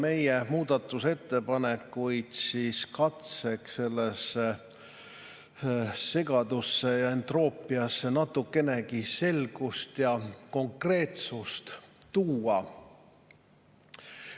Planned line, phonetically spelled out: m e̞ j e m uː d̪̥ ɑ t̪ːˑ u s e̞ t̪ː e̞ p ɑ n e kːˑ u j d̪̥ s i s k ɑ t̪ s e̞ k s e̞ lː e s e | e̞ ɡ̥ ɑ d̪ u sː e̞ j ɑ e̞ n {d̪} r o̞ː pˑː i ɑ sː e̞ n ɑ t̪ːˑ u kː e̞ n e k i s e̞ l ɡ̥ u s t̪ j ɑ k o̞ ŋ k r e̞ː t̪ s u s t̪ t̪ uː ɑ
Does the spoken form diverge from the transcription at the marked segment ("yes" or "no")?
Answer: yes